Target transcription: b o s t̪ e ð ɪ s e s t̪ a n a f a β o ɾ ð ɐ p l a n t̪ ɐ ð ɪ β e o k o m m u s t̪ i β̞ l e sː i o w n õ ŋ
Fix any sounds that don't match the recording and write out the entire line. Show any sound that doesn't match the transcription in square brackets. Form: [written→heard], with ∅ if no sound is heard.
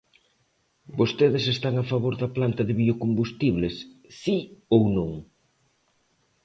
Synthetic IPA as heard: b o s t̪ e ð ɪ s e s t̪ a [n→ŋ] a f a β o ɾ ð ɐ p l a n t̪ ɐ ð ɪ β [e→i] o k o m [m→b] u s t̪ i β̞ l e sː i o w n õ ŋ